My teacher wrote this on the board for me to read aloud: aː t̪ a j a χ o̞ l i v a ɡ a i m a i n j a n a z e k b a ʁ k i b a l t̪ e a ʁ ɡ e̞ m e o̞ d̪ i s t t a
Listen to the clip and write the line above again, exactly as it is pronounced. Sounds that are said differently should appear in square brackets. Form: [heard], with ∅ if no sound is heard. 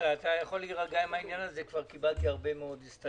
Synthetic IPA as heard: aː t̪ a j a χ o̞ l i [ʁ] a ɡ a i m a i n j a n a z e k [v] a ʁ k i b a l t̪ [i] a ʁ [b] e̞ m e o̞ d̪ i s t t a